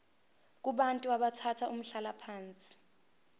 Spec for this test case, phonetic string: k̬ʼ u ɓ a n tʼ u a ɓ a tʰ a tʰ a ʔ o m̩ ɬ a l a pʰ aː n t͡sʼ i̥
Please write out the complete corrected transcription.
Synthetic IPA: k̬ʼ u ɓ a n tʼ u a ɓ a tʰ a tʰ a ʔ u m̩ ɬ a l a pʰ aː n t͡sʼ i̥